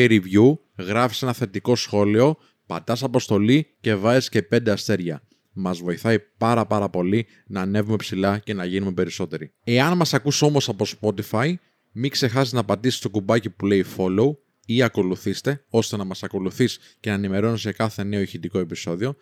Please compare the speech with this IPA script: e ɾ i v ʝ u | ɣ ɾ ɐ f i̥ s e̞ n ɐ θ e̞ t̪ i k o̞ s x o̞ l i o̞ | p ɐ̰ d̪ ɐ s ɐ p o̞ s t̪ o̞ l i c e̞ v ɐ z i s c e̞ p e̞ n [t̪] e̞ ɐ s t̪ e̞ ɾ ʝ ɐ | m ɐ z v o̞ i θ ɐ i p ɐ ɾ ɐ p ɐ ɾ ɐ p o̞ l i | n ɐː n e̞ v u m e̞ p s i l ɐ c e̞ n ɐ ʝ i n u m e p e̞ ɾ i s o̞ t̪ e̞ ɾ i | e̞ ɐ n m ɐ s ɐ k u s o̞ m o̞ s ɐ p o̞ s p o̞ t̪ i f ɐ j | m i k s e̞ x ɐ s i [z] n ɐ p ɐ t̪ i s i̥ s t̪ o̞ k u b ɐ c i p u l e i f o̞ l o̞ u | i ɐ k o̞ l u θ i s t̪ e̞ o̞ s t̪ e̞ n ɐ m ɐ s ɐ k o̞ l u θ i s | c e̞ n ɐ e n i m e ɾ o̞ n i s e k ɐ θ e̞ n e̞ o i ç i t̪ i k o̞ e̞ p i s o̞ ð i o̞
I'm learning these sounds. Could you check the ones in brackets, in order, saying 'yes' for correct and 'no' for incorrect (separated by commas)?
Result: no, yes